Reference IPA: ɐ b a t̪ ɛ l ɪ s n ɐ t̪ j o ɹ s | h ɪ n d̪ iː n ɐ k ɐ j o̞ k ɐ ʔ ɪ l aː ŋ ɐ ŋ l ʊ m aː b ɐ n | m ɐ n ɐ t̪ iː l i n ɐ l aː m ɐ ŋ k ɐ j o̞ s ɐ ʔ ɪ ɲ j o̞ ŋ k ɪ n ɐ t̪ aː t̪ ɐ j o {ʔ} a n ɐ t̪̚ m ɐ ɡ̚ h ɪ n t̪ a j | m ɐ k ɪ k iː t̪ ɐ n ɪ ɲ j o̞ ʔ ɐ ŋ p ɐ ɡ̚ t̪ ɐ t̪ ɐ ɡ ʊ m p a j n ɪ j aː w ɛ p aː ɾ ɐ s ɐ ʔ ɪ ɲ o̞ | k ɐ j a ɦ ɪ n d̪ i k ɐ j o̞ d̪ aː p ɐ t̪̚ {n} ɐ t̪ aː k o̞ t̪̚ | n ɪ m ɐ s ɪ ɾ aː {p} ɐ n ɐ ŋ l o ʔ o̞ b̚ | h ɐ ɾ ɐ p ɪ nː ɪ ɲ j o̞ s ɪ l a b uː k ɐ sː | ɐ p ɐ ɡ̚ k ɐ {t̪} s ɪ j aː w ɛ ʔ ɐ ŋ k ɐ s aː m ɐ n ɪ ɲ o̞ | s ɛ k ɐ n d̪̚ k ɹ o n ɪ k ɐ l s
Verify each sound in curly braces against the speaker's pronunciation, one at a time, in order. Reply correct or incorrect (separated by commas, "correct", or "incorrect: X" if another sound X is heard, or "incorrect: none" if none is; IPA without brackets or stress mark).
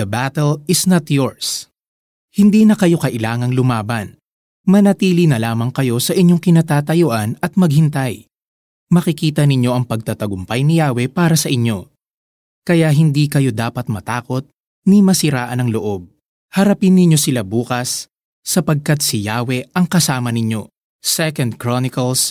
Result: correct, incorrect: m, incorrect: ʔ, correct